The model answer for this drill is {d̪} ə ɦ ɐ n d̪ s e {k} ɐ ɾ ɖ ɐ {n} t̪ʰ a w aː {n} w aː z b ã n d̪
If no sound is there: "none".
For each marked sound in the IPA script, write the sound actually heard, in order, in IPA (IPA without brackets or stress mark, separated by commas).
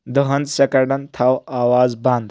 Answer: d̪, k, n, none